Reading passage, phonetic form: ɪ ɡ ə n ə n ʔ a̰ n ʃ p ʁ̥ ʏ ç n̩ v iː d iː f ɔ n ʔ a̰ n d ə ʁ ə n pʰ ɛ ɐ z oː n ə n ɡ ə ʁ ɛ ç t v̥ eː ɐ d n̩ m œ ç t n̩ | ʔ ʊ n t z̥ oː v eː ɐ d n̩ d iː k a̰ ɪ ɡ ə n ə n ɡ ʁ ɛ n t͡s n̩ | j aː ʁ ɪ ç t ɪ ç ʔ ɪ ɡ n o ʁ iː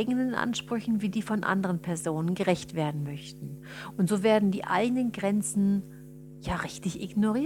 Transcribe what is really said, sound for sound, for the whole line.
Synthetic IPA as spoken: ɪ ɡ ə n ə n ʔ a̰ n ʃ p ʁ̥ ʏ ç n̩ v iː d iː f ɔ n ʔ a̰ n d ə ʁ ə n pʰ ɛ ɐ z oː n ə n ɡ ə ʁ ɛ ç t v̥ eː ɐ d n̩ m œ ç t n̩ | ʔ ʊ n t z̥ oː v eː ɐ d n̩ d iː ʔ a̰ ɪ ɡ ə n ə n ɡ ʁ ɛ n t͡s n̩ | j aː ʁ ɪ ç t ɪ ç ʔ ɪ ɡ n o ʁ iː